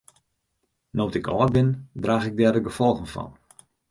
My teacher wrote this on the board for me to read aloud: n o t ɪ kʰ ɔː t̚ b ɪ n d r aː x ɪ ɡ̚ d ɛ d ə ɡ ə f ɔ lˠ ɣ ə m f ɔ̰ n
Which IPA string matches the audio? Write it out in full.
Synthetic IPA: n o t ɪ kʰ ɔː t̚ b ɪ n d r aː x ɪ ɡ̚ d ɛ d ə ɡ ə f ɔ lˠ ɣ ə n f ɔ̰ n